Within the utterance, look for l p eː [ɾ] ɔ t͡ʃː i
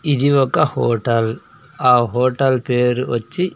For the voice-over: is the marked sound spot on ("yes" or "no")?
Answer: yes